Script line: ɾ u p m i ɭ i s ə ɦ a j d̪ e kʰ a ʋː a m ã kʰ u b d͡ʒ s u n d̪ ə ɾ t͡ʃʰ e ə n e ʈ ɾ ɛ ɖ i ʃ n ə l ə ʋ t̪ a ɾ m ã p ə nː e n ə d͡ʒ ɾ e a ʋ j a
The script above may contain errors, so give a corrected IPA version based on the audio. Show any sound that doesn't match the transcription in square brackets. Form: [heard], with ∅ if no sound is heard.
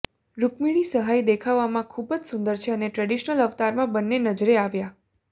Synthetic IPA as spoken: ɾ u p m i ɭ i s ə ɦ a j d̪ e kʰ a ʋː a m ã kʰ u b d͡ʒ s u n d̪ ə ɾ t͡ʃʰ e ə n e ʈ ɾ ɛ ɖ i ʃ n ə l ə ʋ t̪ a ɾ m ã [b] ə nː e n ə d͡ʒ ɾ e a ʋ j a